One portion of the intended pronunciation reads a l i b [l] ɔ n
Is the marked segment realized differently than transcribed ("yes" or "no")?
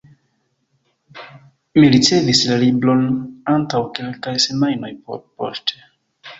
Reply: no